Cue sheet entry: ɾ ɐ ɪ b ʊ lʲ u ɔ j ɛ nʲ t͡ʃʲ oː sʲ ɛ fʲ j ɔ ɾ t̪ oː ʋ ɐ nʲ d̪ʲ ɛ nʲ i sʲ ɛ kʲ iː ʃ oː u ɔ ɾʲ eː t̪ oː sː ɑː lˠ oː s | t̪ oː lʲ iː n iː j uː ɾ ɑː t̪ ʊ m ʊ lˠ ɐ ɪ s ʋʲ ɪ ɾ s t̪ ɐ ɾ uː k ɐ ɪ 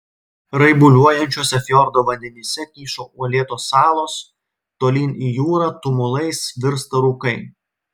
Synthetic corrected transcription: ɾ ɐ ɪ b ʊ lʲ u ɔ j ɛ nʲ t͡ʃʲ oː sʲ ɛ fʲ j ɔ ɾ d̪ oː ʋ ɐ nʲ d̪ʲ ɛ nʲ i sʲ ɛ kʲ iː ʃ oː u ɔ lʲ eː t̪ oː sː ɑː lˠ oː s | t̪ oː lʲ iː n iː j uː ɾ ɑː t̪ ʊ m ʊ lˠ ɐ ɪ s ʋʲ ɪ ɾ s t̪ ɐ ɾ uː k ɐ ɪ